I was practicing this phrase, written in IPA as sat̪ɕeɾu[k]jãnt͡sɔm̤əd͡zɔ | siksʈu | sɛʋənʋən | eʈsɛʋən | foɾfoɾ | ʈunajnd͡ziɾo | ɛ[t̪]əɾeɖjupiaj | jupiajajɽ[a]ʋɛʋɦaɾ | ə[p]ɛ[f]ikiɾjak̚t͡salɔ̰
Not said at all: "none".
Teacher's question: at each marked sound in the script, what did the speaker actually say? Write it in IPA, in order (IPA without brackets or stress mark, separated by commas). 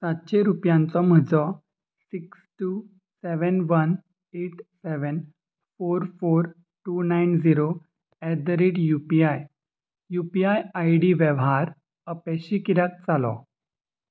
p, d̪, i, p, ɕ